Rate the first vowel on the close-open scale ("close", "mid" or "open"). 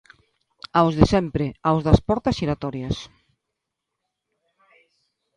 open